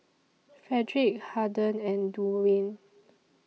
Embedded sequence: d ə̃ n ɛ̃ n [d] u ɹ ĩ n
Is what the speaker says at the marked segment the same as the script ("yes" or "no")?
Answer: yes